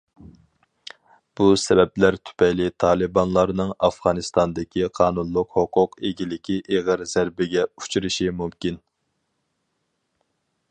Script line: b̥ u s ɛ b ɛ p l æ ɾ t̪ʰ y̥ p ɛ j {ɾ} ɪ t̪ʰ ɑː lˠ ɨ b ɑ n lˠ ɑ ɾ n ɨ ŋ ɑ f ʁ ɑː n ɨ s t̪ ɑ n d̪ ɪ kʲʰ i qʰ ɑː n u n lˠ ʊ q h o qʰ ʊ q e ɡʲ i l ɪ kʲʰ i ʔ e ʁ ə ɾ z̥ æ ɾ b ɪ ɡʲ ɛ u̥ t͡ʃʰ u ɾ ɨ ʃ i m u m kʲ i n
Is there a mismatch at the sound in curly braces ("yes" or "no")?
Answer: yes